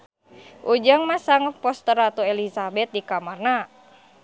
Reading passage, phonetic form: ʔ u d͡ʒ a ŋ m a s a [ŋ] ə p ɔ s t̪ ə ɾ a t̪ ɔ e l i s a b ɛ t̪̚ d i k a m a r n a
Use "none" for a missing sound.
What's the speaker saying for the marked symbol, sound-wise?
ŋ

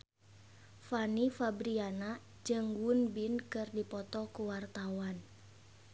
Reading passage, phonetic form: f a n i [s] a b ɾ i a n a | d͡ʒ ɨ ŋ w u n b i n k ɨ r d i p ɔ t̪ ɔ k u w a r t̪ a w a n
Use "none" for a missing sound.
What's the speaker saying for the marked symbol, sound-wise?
f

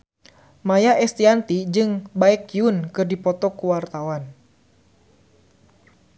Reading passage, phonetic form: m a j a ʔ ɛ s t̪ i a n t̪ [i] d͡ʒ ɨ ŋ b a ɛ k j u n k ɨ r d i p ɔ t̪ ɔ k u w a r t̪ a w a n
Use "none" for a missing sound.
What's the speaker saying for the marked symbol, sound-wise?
i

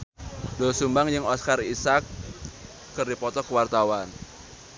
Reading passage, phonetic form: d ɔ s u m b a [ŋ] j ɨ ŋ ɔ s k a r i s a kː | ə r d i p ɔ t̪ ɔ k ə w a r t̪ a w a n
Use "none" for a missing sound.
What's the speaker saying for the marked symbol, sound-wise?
ŋ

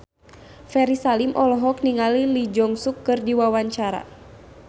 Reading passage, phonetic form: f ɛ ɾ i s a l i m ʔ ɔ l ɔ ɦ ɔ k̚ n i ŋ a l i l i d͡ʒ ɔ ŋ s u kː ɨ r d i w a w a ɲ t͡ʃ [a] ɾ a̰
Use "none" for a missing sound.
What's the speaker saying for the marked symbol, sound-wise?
a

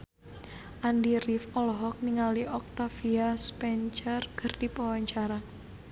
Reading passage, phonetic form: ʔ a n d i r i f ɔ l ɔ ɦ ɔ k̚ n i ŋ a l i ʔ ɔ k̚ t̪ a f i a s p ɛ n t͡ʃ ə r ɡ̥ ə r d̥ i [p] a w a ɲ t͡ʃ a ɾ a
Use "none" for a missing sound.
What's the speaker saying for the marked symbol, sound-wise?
p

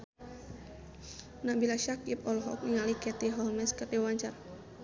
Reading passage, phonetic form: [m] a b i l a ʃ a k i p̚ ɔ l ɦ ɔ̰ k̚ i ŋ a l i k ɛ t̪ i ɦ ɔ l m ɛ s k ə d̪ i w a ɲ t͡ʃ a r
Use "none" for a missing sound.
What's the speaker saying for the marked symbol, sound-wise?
n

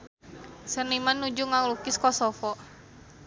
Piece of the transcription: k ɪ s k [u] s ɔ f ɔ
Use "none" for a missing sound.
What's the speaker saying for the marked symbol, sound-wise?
ɔ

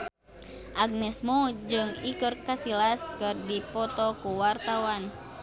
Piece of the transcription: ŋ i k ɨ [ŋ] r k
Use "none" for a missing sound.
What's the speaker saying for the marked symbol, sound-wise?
none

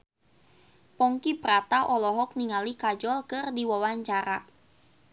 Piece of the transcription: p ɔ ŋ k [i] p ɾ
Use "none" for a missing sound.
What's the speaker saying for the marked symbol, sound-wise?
i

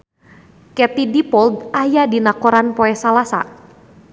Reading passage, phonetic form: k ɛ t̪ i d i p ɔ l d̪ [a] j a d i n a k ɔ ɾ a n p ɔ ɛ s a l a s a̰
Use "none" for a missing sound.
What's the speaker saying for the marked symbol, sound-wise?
a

